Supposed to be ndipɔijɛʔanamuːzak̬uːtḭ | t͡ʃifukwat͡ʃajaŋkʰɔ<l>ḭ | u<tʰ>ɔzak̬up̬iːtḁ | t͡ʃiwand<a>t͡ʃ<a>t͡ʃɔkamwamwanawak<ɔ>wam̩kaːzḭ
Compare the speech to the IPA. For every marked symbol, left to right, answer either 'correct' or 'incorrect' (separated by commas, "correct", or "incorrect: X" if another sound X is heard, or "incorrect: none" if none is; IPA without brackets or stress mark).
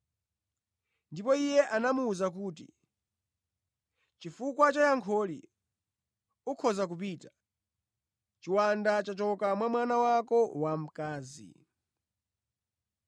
correct, incorrect: kʰ, correct, correct, correct